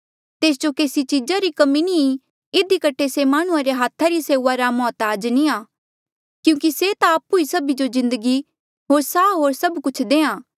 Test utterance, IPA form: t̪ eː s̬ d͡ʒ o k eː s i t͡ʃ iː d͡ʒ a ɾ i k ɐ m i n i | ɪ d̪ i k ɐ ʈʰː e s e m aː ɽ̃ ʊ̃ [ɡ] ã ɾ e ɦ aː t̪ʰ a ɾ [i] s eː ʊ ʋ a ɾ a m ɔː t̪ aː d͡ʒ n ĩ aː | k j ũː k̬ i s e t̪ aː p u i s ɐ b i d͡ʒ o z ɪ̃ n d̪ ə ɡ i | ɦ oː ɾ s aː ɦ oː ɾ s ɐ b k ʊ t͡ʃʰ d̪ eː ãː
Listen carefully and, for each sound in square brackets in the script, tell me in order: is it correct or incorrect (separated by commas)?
incorrect, correct